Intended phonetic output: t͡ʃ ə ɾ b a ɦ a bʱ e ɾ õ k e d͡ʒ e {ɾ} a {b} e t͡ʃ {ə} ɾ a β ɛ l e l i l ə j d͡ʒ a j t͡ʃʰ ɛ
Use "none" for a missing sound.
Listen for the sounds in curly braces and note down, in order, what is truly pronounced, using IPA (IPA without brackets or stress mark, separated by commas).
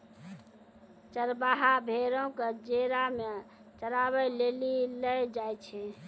ɾ, m, ə